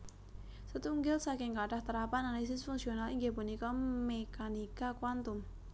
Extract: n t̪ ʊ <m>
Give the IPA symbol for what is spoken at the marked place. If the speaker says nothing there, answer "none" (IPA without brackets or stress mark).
m